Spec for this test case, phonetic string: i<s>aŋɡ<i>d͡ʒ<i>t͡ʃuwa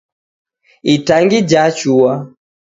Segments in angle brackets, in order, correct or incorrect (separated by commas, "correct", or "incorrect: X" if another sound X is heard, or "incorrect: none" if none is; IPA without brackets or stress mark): incorrect: t, correct, incorrect: a